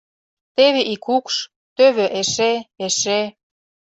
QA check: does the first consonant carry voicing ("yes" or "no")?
no